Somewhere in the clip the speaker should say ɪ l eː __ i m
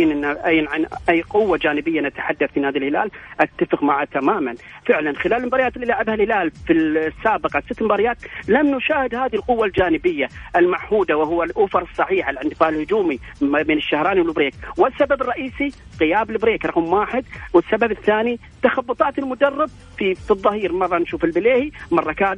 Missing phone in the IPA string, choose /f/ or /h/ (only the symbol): h